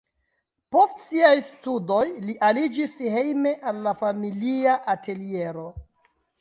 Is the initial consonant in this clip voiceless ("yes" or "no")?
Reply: yes